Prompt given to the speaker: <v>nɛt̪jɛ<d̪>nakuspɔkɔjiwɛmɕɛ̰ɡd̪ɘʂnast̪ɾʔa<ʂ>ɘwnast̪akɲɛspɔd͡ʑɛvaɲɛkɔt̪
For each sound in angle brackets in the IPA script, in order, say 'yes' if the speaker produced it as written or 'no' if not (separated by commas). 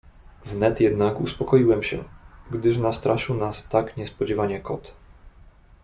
yes, yes, yes